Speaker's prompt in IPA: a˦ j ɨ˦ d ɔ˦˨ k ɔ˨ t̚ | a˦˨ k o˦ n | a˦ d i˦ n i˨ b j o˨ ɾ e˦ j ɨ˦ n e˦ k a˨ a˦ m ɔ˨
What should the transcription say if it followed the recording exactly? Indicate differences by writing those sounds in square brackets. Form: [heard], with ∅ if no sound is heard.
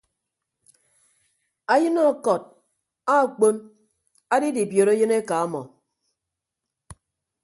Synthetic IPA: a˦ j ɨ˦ [n] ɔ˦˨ k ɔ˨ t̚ | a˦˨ [k͡p] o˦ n | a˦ d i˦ [d] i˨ b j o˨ ɾ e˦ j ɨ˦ n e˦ k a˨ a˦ m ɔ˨